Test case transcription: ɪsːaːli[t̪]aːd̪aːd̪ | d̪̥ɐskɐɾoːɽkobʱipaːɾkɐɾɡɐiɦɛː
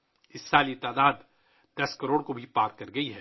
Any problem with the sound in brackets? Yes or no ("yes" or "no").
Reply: no